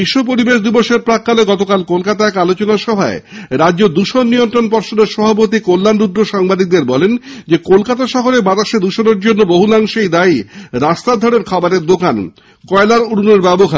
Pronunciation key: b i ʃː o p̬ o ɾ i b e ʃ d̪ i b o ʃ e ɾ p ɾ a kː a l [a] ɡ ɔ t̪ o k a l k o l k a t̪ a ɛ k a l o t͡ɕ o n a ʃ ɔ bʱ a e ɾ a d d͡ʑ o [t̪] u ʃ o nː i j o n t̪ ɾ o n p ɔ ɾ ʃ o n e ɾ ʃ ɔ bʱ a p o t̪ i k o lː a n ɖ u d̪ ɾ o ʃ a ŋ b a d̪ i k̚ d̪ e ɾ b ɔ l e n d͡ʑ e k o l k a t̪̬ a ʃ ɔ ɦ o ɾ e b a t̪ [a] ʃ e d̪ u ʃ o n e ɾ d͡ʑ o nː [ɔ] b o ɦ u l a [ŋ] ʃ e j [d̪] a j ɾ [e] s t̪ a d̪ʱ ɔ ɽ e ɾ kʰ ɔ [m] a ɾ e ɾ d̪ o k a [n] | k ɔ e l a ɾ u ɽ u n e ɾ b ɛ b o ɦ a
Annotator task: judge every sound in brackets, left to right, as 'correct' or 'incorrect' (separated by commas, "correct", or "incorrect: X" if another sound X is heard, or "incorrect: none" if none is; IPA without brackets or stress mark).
incorrect: e, incorrect: d̪, correct, incorrect: o, correct, correct, incorrect: a, incorrect: b, correct